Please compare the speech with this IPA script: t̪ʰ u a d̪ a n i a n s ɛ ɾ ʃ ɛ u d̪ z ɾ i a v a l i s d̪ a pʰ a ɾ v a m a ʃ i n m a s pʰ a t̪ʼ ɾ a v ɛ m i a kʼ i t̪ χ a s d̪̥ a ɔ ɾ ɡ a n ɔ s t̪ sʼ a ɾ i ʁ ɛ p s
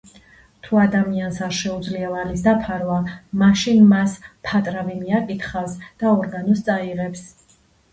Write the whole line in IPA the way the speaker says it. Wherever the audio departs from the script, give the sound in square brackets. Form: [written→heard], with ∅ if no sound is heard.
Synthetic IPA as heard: t̪ʰ u a d̪ a [n→m] i a n s [ɛ→a] ɾ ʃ ɛ u d̪ z [ɾ→l] i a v a l i s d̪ a pʰ a ɾ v a m a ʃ i n m a s pʰ a t̪ʼ ɾ a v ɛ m i a kʼ i t̪ χ a s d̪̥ a ɔ ɾ ɡ a n ɔ s t̪ sʼ a [ɾ→∅] i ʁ ɛ p s